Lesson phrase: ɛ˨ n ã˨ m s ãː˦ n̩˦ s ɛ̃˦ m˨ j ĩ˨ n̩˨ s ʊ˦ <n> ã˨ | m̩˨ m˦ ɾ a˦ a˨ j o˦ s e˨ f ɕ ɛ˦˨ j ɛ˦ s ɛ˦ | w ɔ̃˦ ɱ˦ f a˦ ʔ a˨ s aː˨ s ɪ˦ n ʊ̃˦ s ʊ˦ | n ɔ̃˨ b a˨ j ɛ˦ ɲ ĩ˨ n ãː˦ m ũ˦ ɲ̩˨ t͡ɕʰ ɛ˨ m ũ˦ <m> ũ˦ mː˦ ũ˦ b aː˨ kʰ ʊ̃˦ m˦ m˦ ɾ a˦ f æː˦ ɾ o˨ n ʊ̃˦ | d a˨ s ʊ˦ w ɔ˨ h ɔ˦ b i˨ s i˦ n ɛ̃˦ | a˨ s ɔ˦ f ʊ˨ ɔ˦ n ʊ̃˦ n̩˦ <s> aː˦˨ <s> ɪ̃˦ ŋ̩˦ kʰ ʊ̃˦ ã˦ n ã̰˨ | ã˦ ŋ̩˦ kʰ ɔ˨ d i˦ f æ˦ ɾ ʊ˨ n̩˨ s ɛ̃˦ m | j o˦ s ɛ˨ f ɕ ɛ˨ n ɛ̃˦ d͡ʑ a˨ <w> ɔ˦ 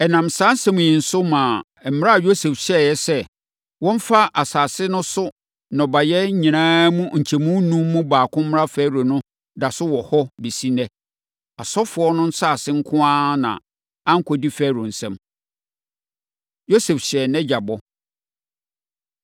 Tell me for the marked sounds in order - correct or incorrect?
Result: incorrect: m, incorrect: n, correct, correct, incorrect: b

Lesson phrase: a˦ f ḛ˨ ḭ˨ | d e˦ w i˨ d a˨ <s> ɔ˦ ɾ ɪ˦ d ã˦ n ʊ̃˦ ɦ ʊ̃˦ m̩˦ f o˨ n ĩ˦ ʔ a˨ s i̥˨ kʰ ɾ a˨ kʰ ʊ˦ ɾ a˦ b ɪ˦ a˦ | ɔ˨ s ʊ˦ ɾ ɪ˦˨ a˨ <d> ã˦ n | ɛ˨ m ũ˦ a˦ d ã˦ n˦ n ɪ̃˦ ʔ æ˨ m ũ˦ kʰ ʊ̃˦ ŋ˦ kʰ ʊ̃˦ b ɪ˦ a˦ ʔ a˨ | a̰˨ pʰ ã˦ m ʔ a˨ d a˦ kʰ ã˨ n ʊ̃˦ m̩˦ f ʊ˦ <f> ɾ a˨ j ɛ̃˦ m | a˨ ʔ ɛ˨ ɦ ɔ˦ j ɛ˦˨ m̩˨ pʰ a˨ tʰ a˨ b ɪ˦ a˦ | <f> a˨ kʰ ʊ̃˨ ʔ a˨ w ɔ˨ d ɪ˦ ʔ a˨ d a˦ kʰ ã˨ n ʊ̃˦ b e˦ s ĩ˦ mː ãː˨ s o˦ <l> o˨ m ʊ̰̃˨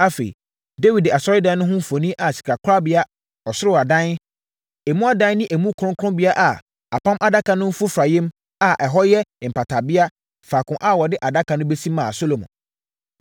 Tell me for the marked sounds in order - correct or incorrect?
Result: correct, correct, correct, correct, correct

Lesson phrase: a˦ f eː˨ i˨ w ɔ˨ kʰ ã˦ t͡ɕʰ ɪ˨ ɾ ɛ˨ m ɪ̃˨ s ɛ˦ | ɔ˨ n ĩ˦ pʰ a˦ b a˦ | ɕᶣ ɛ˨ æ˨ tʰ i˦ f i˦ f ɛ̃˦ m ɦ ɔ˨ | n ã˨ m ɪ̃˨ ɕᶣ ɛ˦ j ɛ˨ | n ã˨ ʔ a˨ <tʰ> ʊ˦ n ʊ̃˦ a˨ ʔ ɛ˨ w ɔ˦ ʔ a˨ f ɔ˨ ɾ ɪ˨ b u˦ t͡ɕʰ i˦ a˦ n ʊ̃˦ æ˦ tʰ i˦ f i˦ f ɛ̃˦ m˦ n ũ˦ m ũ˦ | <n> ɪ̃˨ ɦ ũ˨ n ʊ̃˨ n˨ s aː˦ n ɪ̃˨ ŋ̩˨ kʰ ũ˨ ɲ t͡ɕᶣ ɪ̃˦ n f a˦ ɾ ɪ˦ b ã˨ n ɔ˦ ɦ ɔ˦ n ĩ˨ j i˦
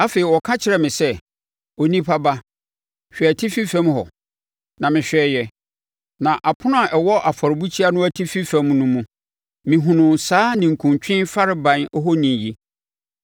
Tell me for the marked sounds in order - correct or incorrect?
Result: incorrect: pʰ, incorrect: m

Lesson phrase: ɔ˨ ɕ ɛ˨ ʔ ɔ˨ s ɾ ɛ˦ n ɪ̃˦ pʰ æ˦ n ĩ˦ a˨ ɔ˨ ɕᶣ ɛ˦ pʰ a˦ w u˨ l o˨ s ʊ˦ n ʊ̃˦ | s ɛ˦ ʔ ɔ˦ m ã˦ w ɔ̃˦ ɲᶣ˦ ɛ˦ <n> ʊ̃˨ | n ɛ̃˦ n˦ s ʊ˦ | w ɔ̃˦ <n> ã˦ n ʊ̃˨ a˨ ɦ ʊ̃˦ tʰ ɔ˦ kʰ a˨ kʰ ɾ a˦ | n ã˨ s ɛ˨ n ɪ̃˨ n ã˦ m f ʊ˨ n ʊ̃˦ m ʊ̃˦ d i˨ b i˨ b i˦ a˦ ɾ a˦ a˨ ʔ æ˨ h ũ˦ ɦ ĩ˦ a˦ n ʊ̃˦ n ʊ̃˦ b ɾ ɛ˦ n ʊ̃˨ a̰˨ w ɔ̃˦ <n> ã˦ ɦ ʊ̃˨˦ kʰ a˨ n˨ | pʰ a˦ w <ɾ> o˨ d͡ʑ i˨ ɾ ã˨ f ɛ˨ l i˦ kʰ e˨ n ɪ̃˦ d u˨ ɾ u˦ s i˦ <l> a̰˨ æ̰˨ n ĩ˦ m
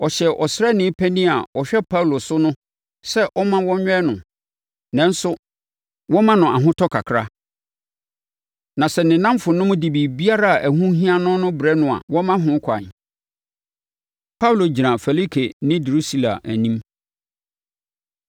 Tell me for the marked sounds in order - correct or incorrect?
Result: correct, incorrect: m, incorrect: m, incorrect: l, correct

